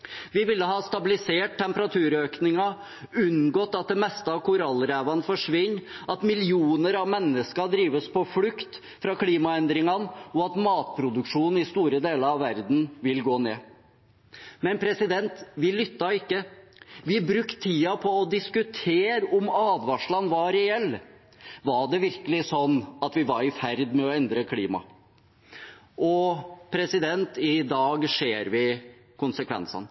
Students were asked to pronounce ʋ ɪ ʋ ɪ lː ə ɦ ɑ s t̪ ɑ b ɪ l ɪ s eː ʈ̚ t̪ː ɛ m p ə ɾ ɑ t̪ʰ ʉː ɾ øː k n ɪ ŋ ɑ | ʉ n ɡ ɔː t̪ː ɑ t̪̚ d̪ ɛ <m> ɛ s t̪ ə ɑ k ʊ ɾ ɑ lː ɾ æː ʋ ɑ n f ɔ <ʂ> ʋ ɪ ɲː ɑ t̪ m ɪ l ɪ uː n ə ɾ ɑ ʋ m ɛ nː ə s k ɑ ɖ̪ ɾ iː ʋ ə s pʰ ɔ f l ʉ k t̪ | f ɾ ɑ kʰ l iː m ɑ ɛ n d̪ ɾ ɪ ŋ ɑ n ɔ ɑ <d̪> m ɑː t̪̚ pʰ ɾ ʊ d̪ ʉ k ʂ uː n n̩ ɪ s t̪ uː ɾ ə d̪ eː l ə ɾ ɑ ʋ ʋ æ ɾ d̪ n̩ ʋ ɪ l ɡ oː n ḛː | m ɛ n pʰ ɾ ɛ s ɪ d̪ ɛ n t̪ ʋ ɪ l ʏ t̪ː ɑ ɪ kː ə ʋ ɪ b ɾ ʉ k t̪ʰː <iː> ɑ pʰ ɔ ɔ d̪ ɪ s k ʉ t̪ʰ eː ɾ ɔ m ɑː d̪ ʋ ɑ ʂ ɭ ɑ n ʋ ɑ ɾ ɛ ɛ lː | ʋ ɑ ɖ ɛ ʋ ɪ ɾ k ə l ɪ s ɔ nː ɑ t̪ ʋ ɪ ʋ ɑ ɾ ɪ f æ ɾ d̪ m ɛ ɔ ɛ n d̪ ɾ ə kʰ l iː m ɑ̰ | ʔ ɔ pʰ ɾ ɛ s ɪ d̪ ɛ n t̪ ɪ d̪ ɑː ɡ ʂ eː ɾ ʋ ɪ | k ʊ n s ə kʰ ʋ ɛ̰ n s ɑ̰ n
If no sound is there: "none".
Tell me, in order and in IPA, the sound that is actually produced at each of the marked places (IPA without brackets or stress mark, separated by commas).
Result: m, ʂ, t̪, iː